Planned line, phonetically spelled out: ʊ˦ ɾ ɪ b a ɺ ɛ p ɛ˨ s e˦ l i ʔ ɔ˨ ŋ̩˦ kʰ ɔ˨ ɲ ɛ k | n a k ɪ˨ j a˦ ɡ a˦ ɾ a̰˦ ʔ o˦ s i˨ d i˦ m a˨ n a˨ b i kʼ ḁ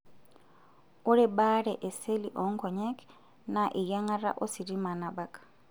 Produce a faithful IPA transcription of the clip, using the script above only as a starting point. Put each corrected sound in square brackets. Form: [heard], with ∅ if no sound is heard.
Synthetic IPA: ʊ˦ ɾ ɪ b a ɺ ɛ [ʔ] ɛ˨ s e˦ l i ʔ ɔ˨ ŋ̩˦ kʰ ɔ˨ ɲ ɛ k | n a [ʔ] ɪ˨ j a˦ [ŋ] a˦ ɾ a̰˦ ʔ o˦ s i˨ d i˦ m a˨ n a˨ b [a] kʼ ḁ